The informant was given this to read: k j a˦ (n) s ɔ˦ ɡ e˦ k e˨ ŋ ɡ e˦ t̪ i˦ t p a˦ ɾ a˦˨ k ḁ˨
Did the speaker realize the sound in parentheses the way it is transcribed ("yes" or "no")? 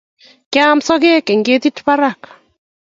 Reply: no